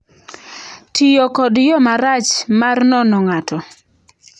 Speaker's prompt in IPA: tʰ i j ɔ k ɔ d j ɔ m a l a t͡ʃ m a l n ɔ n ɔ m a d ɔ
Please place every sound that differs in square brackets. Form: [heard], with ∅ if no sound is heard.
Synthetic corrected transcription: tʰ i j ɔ k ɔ d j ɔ m a [ɾ] a t͡ʃ m a [r] n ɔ n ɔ [ŋ] a [t] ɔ